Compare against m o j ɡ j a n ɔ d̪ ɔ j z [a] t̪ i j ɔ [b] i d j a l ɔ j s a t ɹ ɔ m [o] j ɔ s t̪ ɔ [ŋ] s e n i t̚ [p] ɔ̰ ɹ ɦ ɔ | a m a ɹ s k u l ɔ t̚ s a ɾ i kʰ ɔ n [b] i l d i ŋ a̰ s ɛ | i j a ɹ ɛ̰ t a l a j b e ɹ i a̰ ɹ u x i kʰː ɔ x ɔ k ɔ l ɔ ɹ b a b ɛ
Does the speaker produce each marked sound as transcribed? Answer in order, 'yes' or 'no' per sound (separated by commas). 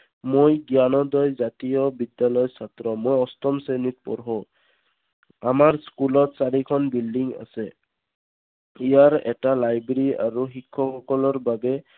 yes, yes, yes, no, yes, yes